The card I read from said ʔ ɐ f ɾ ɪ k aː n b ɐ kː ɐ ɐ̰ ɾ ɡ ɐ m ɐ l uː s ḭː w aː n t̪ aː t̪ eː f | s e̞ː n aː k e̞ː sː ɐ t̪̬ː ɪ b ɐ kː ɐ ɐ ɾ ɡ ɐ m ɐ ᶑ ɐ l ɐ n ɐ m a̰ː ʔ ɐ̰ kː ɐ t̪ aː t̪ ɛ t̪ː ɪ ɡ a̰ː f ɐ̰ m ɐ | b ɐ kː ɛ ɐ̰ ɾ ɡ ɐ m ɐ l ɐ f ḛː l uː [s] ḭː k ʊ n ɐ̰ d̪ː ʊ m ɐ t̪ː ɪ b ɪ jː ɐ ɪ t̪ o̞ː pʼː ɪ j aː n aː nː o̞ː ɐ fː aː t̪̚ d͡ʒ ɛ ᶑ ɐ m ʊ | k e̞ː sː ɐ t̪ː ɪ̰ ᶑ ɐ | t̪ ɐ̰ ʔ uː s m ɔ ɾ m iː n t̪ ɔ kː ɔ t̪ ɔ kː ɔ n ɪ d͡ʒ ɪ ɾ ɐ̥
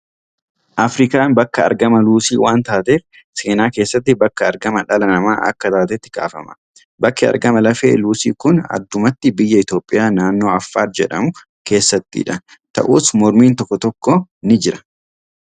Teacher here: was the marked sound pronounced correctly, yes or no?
yes